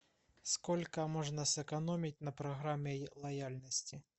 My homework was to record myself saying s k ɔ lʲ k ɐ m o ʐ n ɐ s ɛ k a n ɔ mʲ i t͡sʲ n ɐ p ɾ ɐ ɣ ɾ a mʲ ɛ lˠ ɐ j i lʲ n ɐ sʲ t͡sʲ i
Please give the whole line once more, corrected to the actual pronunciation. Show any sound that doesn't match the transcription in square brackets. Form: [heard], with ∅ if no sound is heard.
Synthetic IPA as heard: s k ɔ lʲ k ɐ m [ɔ] ʐ n ɐ s ɛ k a n ɔ mʲ i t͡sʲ n ɐ p ɾ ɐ ɣ ɾ a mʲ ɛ lˠ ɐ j [a] lʲ n ɐ sʲ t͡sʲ i